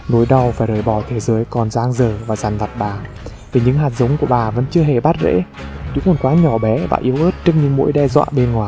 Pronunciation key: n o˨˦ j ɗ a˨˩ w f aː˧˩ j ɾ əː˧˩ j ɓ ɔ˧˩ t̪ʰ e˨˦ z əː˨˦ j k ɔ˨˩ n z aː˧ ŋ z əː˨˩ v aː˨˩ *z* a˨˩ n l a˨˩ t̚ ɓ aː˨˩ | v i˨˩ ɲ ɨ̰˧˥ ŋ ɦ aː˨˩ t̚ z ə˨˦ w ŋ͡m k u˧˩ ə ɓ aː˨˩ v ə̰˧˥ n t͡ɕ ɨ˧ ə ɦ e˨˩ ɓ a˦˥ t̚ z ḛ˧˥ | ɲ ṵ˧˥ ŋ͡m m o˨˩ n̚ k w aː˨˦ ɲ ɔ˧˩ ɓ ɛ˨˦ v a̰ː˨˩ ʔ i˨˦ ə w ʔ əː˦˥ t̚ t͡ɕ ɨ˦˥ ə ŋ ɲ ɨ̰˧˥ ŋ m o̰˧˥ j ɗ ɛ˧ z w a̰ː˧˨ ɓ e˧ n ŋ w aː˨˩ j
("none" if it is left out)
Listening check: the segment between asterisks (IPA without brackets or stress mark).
z